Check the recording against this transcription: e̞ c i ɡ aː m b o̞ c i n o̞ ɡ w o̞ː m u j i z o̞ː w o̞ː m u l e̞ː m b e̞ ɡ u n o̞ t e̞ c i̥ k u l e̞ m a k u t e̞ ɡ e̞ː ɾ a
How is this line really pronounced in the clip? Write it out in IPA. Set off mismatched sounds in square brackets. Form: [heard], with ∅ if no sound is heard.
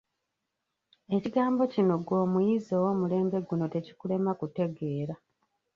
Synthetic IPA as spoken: e̞ c i ɡ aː m b o̞ c i n o̞ ɡ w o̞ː m u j i z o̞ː w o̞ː m u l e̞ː m b e̞ ɡ u n o̞ t e̞ c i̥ k u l e̞ m a k u t e̞ ɡ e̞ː ɾ a